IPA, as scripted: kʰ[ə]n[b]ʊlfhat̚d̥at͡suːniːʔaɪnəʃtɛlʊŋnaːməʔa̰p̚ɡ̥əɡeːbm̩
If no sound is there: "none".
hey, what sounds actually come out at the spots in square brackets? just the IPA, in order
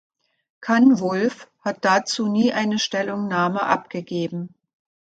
a, v

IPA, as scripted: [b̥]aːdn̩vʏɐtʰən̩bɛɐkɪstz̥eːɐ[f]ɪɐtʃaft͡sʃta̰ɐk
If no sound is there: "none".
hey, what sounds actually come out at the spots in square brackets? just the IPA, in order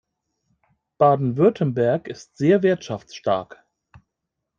b̥, v

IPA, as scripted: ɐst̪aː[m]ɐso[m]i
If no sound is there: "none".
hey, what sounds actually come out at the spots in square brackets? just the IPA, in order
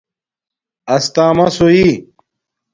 m, none

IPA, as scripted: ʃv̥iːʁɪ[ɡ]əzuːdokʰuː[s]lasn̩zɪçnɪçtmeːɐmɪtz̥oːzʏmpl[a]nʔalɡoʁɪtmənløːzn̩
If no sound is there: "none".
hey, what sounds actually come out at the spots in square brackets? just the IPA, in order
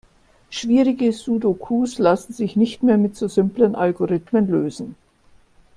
ɡ, s, ə

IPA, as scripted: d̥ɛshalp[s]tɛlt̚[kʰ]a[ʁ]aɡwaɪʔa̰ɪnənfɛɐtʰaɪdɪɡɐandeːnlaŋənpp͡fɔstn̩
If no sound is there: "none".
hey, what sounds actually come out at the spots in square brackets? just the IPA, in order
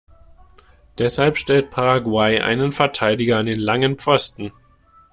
ʃ, pʰ, ʁ

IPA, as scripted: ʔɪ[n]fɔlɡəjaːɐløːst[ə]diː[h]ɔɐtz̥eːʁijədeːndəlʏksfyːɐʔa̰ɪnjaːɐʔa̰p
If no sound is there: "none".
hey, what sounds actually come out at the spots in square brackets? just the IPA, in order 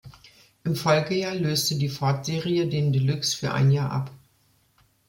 m, ə, f

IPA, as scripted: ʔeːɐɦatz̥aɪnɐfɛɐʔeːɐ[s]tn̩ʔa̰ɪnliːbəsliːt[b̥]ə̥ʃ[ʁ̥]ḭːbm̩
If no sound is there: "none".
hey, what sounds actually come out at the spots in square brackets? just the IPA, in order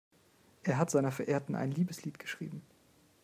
none, ɡ̥, ʁ̥

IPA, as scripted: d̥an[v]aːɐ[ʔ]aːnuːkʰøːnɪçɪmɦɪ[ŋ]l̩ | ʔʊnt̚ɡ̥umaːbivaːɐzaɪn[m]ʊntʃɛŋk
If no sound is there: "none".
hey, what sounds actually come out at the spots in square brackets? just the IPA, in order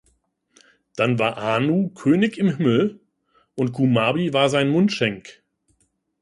v, ʔ, m, m

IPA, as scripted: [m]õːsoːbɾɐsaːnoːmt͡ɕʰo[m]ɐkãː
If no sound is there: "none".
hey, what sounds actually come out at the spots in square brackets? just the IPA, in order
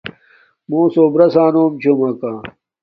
m, m

